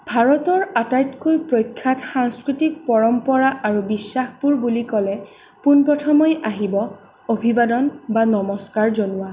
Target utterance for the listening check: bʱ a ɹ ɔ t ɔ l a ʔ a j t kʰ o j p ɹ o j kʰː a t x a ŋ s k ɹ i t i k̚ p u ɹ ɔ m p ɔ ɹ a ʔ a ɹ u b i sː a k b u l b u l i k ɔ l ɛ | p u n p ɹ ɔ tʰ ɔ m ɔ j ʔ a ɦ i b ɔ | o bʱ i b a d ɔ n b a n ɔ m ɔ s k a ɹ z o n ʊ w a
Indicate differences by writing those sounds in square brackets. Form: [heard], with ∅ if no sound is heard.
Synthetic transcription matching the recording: bʱ a ɹ ɔ t ɔ [ɹ] a [t] a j t [k] o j p ɹ o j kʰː a t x a ŋ s k ɹ i t i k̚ p [ɔ] ɹ ɔ m p ɔ ɹ a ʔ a ɹ u b i sː a [x] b u [ɹ] b u l i k ɔ l ɛ | p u n p ɹ ɔ tʰ ɔ m ɔ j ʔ a ɦ i b ɔ | o bʱ i b a d ɔ n b a n ɔ m ɔ s k a ɹ z o n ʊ w a